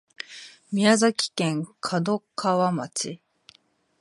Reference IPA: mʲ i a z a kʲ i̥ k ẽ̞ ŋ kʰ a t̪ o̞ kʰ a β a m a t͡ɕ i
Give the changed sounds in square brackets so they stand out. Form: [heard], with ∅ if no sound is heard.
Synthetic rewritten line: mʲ i a z a kʲ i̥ k ẽ̞ ŋ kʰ a [d̪] o̞ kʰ a β a m a t͡ɕ i